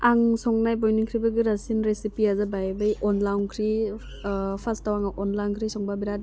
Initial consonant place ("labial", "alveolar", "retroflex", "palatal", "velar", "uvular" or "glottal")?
velar